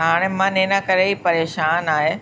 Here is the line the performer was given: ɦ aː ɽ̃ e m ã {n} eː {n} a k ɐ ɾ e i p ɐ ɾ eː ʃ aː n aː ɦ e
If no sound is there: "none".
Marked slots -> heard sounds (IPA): n, n

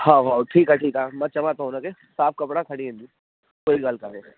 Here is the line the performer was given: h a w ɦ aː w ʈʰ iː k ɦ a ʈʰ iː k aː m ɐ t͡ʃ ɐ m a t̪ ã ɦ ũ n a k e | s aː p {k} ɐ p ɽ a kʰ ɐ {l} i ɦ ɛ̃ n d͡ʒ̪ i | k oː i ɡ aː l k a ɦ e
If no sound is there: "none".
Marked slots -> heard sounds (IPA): k, ɽ

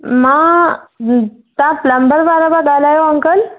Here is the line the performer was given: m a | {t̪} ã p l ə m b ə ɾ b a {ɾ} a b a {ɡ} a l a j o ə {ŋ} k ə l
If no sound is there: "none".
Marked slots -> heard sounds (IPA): t̪, ɾ, ɡ, ŋ

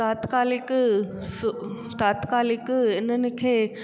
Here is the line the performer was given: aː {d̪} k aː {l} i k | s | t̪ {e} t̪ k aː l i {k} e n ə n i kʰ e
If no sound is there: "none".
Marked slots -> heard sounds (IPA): t̪, l, a, k

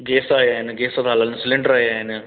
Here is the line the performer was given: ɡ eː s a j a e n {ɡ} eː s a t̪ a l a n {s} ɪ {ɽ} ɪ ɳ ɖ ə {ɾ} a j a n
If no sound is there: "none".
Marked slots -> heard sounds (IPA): ɡ, s, l, ɾ

